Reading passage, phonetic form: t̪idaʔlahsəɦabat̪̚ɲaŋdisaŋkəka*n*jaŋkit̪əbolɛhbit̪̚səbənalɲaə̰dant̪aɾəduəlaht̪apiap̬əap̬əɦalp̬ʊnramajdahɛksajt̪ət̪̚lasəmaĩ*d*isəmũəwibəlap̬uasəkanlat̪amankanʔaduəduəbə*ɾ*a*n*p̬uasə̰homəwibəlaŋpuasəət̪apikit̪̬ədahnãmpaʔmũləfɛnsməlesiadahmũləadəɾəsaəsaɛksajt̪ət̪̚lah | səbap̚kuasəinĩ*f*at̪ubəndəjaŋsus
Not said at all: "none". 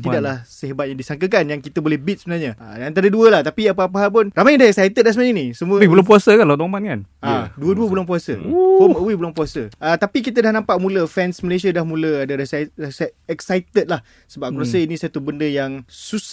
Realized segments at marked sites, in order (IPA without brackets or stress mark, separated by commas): n, n, l, ŋ, s